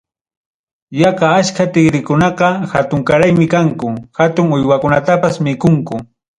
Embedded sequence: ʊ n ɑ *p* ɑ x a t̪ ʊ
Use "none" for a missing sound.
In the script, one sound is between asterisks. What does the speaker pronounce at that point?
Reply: q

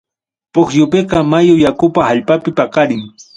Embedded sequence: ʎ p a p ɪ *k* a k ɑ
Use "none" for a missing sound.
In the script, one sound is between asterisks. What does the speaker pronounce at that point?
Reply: p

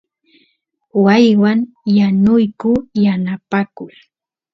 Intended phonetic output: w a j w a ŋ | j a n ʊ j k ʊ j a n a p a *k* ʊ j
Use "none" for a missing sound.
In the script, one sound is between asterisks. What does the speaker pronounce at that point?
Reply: k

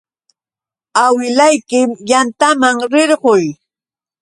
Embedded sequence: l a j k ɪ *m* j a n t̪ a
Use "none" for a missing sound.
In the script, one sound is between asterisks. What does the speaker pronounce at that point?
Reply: m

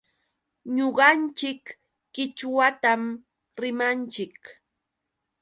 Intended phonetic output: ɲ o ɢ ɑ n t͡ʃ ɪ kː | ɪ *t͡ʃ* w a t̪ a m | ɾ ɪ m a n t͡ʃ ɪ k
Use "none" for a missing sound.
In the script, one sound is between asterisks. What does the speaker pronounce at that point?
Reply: t͡ʃ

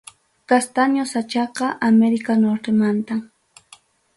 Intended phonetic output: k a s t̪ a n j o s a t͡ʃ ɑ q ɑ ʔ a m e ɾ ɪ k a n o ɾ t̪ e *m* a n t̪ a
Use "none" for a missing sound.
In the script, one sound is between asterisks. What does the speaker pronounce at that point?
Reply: m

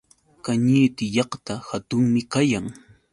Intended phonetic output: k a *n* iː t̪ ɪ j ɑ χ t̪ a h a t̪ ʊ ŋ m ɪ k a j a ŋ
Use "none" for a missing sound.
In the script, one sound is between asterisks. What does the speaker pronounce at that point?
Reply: ɲ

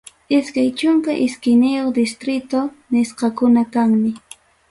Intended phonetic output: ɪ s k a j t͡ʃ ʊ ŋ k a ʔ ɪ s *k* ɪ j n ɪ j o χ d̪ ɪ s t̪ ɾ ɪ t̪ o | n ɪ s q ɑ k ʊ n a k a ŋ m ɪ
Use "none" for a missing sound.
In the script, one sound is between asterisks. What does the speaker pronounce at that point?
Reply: k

